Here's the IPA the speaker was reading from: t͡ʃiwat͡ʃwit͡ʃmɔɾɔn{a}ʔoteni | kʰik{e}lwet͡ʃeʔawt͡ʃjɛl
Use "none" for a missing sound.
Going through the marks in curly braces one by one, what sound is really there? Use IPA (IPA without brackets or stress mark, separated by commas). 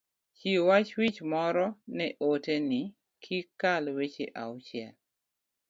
ɛ, a